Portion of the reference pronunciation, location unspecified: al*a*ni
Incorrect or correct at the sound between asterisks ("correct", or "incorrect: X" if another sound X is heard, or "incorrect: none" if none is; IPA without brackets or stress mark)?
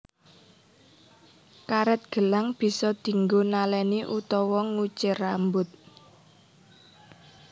incorrect: ɛ